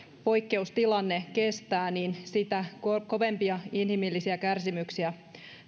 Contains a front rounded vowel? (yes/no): yes